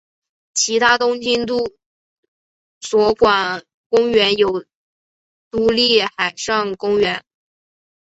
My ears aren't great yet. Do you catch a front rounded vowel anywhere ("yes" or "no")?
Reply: no